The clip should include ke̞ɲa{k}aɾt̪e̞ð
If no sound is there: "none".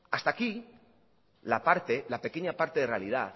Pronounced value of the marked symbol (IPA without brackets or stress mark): p